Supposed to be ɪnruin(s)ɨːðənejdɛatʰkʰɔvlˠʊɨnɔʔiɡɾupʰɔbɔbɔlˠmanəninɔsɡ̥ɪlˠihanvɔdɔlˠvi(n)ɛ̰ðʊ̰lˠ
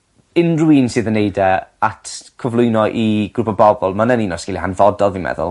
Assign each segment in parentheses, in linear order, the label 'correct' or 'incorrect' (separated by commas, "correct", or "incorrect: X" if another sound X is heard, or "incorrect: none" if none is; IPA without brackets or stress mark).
correct, incorrect: m